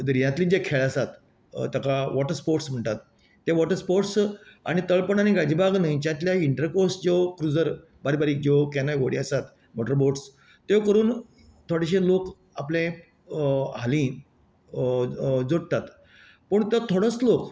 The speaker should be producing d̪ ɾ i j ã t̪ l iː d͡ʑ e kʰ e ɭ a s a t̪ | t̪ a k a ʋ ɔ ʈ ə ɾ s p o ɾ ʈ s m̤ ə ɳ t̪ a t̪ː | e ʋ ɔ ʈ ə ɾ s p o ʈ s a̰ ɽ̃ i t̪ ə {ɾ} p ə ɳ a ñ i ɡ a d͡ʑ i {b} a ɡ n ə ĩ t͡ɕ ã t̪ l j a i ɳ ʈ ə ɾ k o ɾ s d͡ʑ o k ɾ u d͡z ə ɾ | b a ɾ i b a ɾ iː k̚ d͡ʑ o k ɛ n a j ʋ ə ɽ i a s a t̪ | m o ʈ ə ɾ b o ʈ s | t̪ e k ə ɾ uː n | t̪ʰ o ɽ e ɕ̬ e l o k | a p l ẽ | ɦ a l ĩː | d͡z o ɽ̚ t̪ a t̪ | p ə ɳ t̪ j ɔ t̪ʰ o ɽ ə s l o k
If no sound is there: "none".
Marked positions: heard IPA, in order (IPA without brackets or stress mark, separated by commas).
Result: ɭ, b